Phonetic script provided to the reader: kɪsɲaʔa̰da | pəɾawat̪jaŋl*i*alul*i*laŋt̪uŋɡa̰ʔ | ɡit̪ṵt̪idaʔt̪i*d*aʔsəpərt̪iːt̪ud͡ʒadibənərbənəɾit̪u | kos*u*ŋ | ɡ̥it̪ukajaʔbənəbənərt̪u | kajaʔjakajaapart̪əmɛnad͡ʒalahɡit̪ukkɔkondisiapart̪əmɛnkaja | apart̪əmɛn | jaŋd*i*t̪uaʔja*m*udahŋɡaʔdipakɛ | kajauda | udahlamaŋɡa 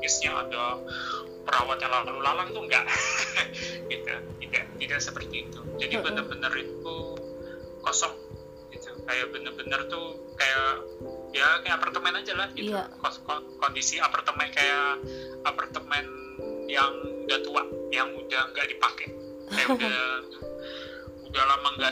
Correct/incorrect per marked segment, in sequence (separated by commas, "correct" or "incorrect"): incorrect, incorrect, correct, incorrect, incorrect, incorrect